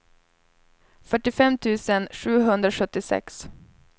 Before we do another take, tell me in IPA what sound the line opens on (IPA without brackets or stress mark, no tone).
f